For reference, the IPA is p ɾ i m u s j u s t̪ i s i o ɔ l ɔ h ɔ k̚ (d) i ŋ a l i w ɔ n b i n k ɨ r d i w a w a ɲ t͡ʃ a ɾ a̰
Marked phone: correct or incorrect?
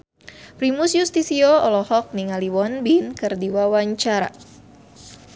incorrect